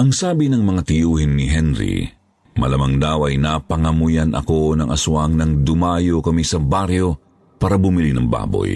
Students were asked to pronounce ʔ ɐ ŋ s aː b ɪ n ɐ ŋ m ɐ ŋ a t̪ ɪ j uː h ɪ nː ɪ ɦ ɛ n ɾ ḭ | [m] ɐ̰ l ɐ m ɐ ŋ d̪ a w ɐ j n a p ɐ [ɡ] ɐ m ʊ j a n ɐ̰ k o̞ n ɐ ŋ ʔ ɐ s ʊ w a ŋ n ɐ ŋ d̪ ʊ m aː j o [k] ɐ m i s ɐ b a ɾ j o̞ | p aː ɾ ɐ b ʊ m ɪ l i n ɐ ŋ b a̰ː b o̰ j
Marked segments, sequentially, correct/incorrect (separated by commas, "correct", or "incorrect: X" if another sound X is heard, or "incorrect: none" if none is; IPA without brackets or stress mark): correct, incorrect: ŋ, correct